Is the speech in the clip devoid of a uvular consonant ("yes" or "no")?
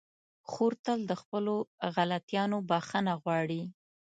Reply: yes